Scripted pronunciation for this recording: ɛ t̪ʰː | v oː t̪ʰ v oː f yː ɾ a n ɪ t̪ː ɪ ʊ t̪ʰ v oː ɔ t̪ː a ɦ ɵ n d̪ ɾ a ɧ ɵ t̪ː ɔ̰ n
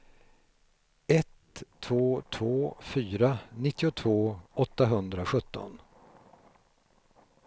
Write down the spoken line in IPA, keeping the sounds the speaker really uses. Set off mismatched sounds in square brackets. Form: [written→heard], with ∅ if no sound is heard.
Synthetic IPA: ɛ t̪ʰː | v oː t̪ʰ v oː f yː ɾ a n ɪ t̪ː ɪ ʊ t̪ʰ v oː ɔ t̪ː a ɦ ɵ n d̪ ɾ a ɧ ɵ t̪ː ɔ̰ n